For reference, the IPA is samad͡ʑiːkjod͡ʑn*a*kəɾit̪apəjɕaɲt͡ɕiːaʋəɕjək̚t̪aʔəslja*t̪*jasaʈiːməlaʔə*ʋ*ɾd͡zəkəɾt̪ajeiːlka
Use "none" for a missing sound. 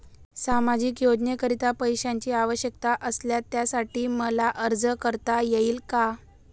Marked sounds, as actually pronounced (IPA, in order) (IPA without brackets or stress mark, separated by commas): e, t̪, none